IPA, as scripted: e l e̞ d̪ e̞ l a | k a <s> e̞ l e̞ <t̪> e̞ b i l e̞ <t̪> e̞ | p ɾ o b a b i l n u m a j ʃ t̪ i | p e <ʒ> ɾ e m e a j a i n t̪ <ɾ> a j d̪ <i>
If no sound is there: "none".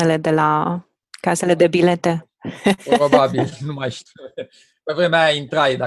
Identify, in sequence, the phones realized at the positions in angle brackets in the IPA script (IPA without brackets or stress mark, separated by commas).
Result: s, d̪, t̪, v, ɾ, a